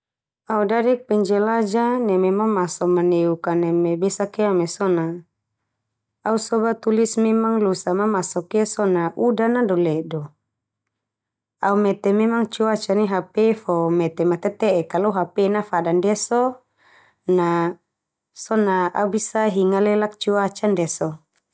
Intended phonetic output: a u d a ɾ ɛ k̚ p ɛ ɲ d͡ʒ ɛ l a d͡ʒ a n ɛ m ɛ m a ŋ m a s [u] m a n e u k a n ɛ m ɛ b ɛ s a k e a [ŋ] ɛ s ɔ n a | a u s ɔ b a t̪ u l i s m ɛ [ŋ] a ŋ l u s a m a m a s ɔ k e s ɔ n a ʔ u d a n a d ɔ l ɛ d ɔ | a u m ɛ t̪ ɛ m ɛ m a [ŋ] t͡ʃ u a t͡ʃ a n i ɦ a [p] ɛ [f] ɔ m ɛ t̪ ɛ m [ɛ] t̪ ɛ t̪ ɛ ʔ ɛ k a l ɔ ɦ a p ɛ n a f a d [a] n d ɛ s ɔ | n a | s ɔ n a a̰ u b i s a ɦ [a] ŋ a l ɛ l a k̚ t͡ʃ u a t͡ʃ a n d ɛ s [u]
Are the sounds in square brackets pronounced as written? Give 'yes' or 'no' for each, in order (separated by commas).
no, no, no, yes, yes, yes, no, yes, no, no